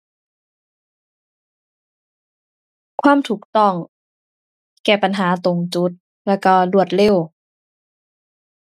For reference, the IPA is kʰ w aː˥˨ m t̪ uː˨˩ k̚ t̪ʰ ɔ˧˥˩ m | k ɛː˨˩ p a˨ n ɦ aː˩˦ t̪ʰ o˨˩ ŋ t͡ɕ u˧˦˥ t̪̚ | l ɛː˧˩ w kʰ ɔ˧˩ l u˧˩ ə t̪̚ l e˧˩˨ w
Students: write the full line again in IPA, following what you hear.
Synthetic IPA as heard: kʰ w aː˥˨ m t̪ʰ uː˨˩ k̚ t̪ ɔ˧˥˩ ŋ | k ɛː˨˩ p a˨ n ɦ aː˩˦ t̪ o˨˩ ŋ t͡ɕ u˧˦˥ t̪̚ | l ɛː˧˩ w k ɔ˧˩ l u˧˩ ə t̪̚ l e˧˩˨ w